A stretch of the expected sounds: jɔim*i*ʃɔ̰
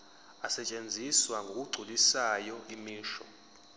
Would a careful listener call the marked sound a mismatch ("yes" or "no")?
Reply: yes